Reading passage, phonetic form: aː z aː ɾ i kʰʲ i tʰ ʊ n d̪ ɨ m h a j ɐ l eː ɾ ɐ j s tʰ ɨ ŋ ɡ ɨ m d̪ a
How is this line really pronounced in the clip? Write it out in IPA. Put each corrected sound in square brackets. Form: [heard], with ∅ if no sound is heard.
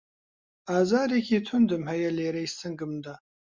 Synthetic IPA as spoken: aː z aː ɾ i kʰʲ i tʰ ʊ n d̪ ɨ m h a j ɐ l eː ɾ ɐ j s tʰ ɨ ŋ ɡ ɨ m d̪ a